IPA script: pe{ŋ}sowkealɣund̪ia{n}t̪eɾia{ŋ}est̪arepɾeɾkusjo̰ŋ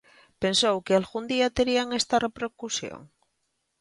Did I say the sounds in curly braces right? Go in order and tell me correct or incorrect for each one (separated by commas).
incorrect, incorrect, correct